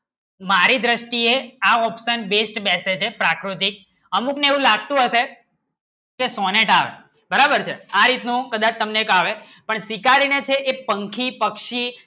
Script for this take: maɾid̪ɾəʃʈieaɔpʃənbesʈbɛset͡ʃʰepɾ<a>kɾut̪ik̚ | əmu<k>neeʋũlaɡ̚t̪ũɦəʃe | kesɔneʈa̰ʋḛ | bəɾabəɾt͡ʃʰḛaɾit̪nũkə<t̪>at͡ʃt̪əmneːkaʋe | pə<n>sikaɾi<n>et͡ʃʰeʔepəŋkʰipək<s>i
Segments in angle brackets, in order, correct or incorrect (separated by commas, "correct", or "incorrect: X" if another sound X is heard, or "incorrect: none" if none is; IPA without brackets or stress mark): correct, correct, incorrect: d̪, incorrect: ɳ, correct, incorrect: ʃ